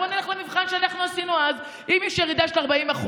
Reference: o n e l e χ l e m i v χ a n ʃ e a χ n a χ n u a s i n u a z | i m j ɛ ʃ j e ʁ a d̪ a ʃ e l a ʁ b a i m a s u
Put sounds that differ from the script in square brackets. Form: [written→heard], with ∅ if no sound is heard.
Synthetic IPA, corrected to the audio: o n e l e χ l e m i v χ a n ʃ e a [χ→∅] n a χ n u a s i n u a z | i m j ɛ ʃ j e ʁ [a→i] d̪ a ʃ e l a ʁ b a i m a [s→χ] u